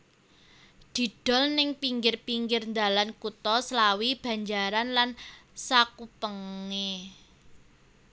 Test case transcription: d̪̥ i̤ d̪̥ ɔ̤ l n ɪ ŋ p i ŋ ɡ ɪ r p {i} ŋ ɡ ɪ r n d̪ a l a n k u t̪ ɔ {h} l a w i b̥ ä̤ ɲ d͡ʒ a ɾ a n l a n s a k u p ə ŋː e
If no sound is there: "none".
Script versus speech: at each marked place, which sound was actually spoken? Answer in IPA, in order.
i, s

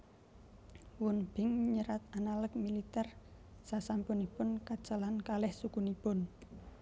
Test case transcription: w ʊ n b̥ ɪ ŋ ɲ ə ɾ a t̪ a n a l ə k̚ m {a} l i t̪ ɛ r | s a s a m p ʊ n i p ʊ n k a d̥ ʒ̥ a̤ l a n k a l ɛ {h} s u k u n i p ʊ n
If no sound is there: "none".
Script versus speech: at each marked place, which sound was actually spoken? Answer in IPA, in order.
i, h

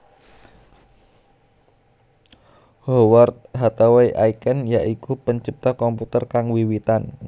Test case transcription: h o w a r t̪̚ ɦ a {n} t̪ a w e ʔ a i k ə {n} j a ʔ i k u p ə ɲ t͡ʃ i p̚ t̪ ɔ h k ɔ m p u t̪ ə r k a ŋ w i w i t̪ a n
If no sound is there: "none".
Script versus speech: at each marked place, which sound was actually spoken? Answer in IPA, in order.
none, n

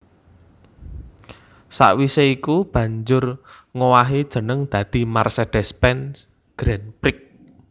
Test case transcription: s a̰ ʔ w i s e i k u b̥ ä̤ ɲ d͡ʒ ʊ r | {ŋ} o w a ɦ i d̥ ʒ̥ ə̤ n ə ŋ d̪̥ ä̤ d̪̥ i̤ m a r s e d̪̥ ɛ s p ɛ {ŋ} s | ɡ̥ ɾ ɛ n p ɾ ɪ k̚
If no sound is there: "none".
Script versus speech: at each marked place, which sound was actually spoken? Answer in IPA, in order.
ŋ, n

